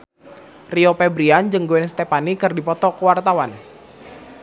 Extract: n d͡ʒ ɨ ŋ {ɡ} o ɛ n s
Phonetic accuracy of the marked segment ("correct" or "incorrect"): correct